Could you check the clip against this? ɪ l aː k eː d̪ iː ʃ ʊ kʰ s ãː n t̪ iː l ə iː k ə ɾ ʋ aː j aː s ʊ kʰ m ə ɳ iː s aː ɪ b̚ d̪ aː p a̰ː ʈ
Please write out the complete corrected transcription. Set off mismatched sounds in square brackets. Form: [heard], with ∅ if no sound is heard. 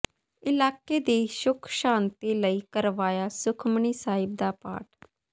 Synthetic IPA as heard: ɪ l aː k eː d̪ iː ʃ ʊ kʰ [ʃ] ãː n t̪ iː l ə iː k ə ɾ ʋ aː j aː s ʊ kʰ m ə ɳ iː s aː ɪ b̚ d̪ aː p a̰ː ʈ